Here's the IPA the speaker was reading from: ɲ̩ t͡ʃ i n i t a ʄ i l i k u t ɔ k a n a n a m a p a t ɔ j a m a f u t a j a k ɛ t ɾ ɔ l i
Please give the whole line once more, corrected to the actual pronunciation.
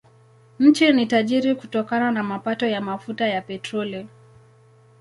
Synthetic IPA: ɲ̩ t͡ʃ i n i t a ʄ i ɾ i k u t ɔ k a n a n a m a p a t ɔ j a m a f u t a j a p ɛ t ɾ ɔ l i